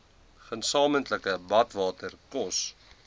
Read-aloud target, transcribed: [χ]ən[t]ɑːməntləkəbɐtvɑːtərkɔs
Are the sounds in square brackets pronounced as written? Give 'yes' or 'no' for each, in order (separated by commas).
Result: yes, no